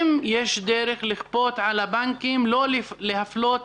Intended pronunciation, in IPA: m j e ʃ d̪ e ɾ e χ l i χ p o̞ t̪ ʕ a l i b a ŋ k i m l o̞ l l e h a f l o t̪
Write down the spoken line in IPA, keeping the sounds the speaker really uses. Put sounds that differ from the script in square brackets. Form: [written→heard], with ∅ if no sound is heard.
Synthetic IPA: m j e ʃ d̪ e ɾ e χ l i χ p o̞ t̪ ʕ a l [i→a] b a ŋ k i m l o̞ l l e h a f l o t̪